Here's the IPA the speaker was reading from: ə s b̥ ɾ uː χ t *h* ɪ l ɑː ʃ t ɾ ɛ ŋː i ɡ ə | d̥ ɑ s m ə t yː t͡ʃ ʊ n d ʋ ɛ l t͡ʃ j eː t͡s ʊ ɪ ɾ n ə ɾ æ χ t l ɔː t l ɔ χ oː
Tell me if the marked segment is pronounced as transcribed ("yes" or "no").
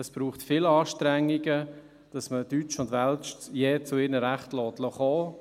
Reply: no